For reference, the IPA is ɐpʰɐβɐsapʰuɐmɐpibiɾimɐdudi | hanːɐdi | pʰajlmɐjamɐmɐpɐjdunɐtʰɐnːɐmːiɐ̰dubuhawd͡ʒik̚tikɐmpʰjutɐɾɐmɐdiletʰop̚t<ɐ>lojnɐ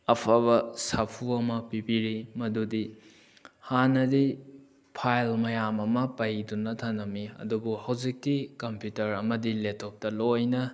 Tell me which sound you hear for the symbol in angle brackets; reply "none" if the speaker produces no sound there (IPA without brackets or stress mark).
ɐ